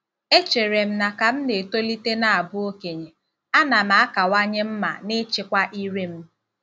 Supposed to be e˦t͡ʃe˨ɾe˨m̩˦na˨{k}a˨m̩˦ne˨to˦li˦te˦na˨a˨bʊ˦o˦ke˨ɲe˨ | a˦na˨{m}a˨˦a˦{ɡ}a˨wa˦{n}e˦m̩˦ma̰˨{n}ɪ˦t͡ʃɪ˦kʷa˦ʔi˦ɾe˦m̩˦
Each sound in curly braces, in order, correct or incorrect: correct, correct, incorrect: k, incorrect: ɲ, correct

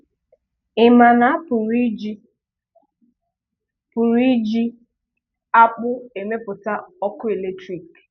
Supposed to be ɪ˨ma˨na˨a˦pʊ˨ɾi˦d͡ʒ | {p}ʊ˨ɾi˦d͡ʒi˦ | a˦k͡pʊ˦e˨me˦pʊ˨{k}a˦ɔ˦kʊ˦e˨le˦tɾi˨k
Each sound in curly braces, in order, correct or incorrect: correct, incorrect: t

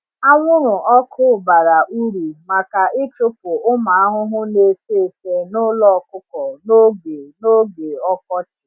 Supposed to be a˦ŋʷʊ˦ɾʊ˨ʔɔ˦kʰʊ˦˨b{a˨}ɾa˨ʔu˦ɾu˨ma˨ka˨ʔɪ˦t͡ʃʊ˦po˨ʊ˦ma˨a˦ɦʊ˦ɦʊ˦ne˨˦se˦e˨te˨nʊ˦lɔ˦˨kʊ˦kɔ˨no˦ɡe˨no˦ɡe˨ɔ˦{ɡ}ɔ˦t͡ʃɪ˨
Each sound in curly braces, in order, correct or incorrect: correct, incorrect: k

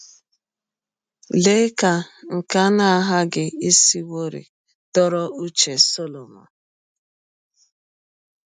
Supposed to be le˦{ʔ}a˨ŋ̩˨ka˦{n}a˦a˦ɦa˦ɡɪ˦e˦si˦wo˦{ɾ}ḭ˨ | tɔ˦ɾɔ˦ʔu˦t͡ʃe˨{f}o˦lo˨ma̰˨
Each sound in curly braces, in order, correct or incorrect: incorrect: k, correct, correct, incorrect: s

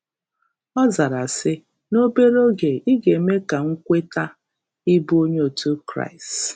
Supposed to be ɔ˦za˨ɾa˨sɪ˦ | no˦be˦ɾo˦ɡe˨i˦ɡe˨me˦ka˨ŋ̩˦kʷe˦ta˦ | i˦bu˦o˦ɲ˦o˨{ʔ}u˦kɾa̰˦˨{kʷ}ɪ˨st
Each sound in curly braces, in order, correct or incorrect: incorrect: t, incorrect: none

